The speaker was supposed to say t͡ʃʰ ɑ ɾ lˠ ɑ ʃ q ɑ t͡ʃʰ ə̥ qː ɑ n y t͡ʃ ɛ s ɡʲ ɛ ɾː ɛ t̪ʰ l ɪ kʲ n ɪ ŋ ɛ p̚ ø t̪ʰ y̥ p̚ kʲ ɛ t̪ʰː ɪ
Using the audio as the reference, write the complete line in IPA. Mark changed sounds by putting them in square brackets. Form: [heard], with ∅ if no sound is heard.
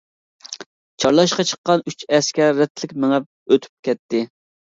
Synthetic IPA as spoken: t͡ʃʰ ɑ ɾ lˠ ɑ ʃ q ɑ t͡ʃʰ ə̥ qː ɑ n y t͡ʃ ɛ s [kʲ] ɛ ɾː ɛ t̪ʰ l ɪ kʲ [m] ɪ ŋ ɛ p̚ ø t̪ʰ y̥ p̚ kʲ ɛ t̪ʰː ɪ